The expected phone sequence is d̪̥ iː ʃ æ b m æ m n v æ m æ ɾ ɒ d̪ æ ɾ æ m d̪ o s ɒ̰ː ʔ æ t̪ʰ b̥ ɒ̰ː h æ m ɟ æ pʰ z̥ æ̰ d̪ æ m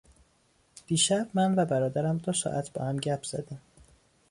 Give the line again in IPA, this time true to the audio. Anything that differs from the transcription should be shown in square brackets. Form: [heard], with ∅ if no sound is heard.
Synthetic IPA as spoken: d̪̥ iː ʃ æ b m æ [∅] n v æ [b] æ ɾ [ɒː] d̪ æ ɾ æ m d̪ o s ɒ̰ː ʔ æ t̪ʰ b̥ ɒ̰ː h æ m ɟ æ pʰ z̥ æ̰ d̪ æ m